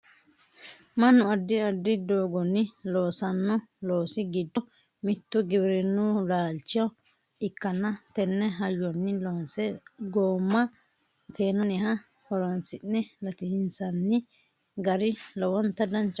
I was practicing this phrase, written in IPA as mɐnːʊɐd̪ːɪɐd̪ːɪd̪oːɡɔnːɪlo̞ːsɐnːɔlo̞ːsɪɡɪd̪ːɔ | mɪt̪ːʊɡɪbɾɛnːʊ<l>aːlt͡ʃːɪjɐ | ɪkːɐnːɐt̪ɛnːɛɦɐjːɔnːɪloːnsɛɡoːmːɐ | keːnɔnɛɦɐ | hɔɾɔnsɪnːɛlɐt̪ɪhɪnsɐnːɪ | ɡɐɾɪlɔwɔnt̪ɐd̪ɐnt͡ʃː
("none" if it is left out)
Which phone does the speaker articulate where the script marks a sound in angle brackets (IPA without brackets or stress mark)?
l